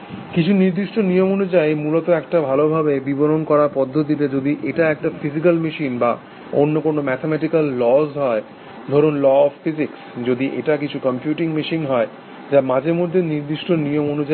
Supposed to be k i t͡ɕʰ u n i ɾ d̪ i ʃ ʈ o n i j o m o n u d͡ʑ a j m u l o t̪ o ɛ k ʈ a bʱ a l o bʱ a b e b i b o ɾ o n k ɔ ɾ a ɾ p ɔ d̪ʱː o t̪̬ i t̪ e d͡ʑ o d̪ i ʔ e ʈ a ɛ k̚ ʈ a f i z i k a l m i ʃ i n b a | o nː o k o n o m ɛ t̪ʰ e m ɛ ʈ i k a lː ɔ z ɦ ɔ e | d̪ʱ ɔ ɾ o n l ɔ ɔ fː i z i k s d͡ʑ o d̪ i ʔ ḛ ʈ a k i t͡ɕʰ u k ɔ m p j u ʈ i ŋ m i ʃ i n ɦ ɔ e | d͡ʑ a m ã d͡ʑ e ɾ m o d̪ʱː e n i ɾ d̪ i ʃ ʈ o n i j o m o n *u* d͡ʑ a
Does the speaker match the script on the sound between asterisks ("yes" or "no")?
yes